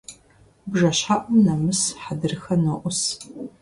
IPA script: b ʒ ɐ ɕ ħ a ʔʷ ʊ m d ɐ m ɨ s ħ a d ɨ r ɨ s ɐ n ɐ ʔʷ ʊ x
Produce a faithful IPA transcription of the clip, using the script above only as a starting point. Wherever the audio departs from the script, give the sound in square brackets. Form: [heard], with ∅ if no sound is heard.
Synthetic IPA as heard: b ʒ ɐ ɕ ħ a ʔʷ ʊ m [n] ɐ m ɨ s ħ a d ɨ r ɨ [x] ɐ n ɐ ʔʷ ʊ [s]